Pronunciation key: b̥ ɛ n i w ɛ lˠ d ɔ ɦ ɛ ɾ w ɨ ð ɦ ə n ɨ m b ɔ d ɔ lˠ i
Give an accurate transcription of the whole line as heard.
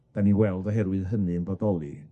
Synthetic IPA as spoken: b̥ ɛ n i w ɛ lˠ d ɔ ɦ ɛ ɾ w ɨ ð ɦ ə n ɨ n b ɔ d ɔ lˠ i